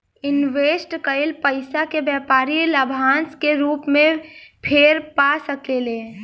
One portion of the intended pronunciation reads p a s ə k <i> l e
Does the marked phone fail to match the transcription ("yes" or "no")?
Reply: yes